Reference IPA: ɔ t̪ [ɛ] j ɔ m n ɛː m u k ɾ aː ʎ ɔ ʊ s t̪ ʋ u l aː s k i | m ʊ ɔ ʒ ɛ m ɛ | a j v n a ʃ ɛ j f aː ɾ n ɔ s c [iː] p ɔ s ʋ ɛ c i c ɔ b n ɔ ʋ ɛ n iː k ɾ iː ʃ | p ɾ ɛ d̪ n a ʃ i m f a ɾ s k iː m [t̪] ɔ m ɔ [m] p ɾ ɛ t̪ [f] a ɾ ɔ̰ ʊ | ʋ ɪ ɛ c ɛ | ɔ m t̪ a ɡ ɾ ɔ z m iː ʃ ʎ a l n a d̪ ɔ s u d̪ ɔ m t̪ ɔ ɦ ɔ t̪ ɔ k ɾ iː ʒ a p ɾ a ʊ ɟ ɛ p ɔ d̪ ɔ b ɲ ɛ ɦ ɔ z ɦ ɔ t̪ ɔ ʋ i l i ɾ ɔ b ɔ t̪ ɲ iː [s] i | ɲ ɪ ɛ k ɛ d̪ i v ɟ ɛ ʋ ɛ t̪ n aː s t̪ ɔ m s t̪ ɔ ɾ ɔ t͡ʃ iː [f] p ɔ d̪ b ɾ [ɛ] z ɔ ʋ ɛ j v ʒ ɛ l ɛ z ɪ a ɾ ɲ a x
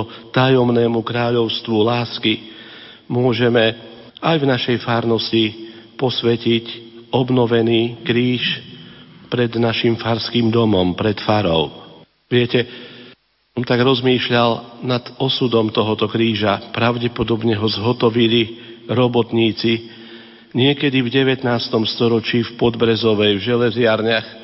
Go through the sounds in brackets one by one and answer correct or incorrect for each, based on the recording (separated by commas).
incorrect, incorrect, incorrect, correct, correct, incorrect, correct, correct